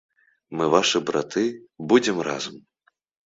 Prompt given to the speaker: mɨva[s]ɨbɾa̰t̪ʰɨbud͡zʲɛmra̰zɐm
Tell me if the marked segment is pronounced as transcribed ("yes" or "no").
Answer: no